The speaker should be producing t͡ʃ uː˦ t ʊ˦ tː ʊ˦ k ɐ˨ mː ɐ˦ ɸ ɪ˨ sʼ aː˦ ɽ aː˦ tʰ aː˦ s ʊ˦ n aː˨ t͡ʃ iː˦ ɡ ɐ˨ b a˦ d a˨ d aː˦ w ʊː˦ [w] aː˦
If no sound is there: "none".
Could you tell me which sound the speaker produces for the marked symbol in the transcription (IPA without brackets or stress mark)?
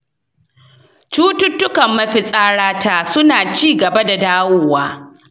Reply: w